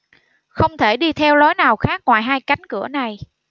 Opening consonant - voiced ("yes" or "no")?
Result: no